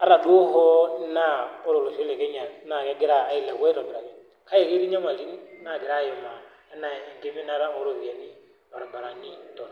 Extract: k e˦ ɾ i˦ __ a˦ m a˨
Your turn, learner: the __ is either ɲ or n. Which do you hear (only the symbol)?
ɲ